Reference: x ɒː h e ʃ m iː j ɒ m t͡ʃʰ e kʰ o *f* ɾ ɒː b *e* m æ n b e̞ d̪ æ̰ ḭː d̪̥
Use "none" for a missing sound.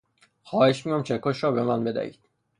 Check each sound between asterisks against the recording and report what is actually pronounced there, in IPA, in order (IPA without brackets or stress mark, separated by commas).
ʃ, e